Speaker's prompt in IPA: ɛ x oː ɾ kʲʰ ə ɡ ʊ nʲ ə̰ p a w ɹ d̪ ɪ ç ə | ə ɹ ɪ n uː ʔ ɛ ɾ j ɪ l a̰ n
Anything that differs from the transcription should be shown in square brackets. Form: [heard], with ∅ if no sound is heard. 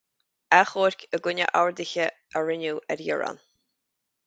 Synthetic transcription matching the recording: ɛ x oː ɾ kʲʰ ə ɡ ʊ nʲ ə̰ [ʔ] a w ɹ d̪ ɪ ç ə | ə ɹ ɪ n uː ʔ ɛ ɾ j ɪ [ɹ] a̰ n